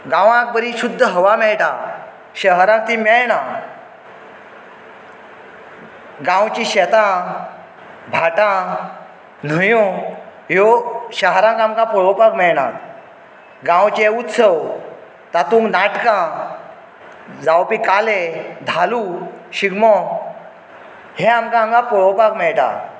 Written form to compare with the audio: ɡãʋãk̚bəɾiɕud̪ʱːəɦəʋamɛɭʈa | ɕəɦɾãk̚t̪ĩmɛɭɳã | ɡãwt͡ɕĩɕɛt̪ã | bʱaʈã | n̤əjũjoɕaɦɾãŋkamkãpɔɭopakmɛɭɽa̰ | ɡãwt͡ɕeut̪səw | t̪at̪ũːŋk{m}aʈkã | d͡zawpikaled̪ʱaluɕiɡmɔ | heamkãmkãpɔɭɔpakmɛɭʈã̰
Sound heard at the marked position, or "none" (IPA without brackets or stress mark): n